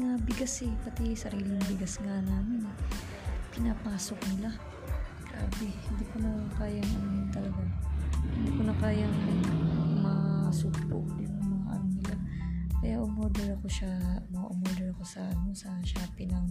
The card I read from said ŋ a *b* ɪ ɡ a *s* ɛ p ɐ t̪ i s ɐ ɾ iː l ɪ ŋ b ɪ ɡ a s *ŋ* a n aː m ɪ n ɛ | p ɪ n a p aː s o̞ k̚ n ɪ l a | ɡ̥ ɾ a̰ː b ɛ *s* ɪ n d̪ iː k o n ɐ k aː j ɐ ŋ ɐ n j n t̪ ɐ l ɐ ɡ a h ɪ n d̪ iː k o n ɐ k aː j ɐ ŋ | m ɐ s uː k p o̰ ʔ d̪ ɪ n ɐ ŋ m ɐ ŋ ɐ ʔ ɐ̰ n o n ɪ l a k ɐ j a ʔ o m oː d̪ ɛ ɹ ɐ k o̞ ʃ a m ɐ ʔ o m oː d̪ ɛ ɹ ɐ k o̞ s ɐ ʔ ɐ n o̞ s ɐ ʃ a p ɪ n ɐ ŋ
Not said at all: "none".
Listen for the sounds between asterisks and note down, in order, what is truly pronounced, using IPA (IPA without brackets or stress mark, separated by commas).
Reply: b, s, ŋ, h